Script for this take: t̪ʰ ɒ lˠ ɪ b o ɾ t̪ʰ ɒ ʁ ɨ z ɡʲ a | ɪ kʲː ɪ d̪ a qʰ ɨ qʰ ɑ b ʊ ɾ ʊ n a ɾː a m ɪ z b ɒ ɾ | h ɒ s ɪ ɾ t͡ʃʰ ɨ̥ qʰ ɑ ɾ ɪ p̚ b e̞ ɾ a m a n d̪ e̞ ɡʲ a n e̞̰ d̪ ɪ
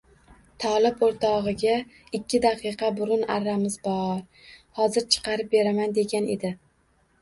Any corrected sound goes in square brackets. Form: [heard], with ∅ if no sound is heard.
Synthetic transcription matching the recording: t̪ʰ ɒ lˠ ɪ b o ɾ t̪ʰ ɒ ʁ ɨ [∅] ɡʲ a | ɪ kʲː ɪ d̪ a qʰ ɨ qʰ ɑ b ʊ ɾ ʊ n a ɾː a m ɪ z b ɒ ɾ | h ɒ [z] ɪ ɾ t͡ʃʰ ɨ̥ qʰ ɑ ɾ ɪ p̚ b e̞ ɾ a m a n d̪ e̞ ɡʲ a n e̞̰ d̪ ɪ